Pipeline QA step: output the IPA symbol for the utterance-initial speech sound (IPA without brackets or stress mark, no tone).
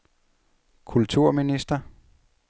kʰ